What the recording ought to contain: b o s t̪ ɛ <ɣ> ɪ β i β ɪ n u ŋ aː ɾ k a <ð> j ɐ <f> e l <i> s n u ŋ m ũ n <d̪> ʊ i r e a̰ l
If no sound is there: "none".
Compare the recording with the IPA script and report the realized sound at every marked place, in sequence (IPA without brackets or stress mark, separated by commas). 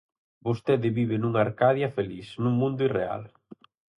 ð, ð, f, i, d̪